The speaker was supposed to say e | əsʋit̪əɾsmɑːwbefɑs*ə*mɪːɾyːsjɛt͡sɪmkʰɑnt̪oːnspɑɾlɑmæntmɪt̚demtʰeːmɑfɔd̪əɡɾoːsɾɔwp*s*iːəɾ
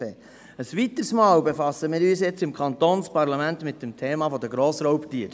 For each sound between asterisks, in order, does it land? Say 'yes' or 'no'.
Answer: yes, no

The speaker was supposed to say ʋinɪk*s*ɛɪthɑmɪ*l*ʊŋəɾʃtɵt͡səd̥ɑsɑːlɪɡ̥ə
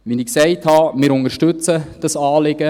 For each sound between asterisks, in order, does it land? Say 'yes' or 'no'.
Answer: yes, no

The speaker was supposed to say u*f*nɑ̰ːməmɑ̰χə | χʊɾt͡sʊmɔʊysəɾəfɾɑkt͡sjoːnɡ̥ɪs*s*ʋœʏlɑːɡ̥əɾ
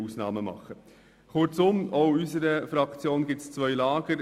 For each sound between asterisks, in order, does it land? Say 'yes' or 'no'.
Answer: no, no

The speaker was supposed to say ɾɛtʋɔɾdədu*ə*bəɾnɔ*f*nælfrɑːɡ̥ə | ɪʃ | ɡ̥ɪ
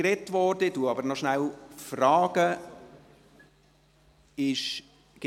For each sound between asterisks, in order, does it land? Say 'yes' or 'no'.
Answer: no, no

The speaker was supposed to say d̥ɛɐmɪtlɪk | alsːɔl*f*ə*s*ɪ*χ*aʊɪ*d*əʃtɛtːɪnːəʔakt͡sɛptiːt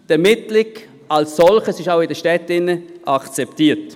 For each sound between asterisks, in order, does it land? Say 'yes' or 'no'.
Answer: no, yes, no, yes

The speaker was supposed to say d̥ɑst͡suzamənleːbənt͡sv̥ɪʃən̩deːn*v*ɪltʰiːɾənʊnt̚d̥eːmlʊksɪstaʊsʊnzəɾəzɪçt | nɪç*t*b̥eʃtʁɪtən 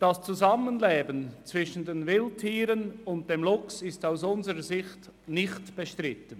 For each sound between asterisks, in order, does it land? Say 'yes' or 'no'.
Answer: yes, yes

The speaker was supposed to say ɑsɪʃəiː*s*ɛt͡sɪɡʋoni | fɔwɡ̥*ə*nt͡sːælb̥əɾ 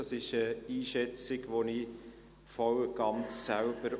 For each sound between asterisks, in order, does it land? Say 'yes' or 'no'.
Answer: no, no

